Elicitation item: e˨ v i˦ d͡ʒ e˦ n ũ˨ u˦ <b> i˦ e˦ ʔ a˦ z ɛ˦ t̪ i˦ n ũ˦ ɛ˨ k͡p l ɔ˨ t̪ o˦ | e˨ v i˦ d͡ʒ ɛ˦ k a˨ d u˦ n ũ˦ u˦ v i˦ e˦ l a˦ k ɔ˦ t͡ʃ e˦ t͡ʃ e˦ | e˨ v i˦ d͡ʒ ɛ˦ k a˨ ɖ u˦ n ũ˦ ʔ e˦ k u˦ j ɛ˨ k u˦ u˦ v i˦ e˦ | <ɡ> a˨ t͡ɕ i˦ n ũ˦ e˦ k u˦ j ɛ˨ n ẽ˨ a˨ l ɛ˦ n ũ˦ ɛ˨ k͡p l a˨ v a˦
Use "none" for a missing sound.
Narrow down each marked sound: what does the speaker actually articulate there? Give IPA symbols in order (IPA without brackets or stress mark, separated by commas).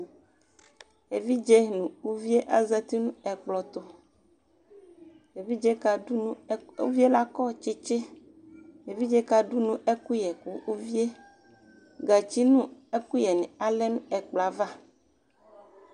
v, ɡ